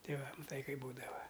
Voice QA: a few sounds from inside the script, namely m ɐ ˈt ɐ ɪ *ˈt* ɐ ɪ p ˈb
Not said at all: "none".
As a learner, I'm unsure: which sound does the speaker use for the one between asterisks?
k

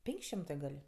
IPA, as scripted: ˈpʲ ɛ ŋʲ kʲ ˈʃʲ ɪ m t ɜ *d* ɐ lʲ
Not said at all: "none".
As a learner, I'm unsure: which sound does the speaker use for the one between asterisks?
ɡ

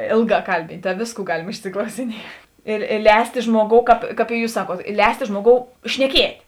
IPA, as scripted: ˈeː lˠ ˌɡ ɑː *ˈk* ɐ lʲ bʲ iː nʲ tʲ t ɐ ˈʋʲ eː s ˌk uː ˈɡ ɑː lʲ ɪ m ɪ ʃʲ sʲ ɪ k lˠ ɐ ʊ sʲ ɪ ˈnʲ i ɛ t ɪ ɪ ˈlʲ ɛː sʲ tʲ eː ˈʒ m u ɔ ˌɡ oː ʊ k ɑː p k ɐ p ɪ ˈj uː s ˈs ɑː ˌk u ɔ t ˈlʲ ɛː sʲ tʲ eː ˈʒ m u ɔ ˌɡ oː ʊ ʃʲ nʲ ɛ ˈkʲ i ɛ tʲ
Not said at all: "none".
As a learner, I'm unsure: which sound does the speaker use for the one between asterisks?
k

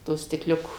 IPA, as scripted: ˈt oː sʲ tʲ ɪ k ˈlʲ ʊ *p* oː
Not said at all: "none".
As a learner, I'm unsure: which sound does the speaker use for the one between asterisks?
k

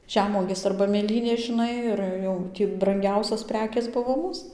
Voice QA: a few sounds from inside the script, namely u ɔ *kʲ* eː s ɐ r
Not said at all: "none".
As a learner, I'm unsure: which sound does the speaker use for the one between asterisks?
ɡʲ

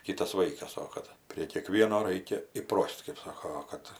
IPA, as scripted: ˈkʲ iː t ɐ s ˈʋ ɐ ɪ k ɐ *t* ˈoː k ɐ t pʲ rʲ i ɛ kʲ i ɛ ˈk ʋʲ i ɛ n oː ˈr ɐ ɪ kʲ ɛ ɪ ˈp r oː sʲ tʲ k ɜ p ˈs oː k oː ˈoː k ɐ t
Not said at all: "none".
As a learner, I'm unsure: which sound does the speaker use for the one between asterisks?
s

